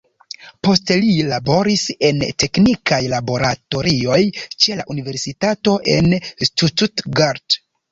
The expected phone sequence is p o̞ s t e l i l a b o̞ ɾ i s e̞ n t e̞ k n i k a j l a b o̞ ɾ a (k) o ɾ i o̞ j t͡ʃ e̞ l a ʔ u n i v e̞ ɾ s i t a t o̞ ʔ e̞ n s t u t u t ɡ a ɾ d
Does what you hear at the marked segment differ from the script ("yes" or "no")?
yes